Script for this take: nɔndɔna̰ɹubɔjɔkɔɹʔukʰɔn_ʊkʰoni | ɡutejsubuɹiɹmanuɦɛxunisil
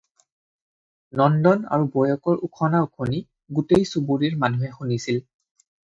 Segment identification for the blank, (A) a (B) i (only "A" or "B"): A